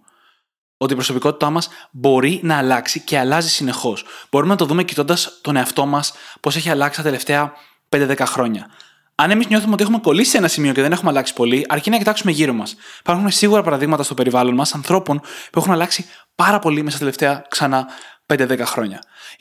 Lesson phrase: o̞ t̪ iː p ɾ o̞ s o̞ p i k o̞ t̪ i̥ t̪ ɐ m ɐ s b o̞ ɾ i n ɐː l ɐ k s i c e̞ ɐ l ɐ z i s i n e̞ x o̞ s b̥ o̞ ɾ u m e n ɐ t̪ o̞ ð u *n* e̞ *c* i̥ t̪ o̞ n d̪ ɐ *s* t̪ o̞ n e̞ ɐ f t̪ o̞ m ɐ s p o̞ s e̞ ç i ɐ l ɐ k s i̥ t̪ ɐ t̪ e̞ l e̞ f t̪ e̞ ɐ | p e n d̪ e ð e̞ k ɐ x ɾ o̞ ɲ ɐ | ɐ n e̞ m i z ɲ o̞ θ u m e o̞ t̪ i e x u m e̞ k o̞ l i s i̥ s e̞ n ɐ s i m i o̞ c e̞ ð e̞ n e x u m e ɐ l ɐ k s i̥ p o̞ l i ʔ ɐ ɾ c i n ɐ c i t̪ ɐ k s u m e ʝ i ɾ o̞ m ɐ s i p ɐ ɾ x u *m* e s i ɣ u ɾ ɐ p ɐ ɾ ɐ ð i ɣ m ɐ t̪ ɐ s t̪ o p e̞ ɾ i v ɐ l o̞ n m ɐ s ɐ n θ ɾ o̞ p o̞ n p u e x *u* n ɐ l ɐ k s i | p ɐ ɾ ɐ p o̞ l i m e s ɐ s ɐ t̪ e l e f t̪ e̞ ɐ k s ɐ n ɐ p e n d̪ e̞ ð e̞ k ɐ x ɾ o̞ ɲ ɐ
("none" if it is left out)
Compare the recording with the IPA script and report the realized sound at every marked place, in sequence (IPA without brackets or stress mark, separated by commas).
m, c, s, n, u